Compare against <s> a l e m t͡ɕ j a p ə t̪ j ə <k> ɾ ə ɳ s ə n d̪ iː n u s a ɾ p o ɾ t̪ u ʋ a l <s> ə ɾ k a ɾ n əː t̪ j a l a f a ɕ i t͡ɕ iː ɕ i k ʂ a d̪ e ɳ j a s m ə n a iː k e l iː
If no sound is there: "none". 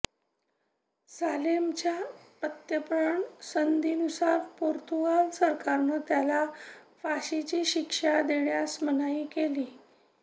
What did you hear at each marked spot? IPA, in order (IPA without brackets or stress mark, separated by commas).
s, p, s